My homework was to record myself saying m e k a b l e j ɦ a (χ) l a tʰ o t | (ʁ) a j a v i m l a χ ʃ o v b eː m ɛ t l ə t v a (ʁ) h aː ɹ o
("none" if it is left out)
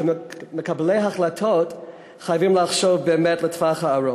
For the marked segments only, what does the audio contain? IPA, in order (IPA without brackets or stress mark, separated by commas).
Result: χ, χ, χ